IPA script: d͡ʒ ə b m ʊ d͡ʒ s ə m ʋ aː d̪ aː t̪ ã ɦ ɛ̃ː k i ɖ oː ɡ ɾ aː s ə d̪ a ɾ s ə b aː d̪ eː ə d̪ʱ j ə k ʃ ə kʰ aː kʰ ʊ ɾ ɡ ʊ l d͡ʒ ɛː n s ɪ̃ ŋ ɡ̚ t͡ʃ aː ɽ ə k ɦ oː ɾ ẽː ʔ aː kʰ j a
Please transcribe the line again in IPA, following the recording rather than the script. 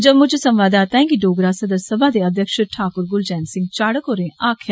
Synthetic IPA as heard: d͡ʒ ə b m ʊ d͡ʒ s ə m ʋ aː d̪ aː t̪ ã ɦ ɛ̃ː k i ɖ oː ɡ ɾ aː s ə d̪ ə ɾ s ə b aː d̪ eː ə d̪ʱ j ə k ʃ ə ʈʰ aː k ʊ ɾ ɡ ʊ l d͡ʒ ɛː n s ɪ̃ ŋ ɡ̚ t͡ʃ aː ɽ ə k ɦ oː ɾ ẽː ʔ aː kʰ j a